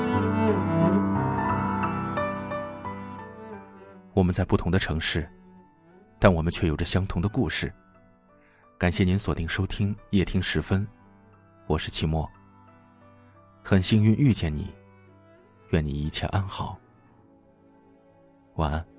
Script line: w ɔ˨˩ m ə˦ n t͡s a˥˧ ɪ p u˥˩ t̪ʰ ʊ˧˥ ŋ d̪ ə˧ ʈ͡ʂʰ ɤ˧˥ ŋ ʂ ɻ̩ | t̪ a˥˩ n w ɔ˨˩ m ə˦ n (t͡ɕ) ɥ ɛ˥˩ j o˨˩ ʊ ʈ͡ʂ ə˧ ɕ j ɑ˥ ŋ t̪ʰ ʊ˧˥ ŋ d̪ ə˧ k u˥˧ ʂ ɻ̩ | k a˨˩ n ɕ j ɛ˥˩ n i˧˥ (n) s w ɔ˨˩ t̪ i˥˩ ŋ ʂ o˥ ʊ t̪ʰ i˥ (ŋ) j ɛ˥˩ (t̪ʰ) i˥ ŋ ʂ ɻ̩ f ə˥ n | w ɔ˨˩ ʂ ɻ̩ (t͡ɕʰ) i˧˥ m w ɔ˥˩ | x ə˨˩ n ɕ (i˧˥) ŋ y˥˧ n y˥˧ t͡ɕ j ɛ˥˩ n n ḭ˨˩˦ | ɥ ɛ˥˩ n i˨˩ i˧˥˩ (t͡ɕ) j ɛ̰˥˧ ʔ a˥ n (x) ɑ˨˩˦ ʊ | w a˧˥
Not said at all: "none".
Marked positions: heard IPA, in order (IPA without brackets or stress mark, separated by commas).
t͡ɕʰ, n, ŋ, t̪ʰ, t͡ɕʰ, i˥, t͡ɕʰ, x